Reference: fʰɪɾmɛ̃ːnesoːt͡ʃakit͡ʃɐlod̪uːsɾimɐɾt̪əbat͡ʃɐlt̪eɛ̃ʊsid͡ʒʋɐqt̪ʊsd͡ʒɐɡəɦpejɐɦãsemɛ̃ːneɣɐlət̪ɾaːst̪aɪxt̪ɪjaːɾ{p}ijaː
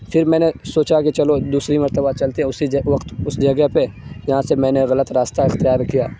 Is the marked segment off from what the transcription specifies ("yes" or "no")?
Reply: yes